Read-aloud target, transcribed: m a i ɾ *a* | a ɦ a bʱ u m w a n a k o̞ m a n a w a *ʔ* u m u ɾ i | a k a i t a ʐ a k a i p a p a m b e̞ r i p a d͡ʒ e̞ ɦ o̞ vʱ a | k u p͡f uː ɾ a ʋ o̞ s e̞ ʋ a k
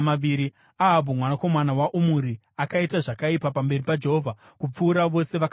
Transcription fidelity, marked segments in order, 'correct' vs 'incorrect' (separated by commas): incorrect, correct